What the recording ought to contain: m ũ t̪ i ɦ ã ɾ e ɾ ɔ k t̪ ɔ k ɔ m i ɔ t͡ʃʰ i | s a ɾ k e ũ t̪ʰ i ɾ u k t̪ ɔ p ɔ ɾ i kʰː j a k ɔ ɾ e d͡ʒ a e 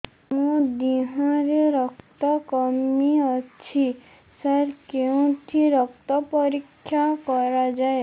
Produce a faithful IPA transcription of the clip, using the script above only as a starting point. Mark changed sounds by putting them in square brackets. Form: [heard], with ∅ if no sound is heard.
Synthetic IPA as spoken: m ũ [d̪] i ɦ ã ɾ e ɾ ɔ k t̪ ɔ k ɔ m i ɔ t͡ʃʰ i | s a ɾ k e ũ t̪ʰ i ɾ [ɔ] k t̪ ɔ p ɔ ɾ i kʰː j a k ɔ ɾ [a] d͡ʒ a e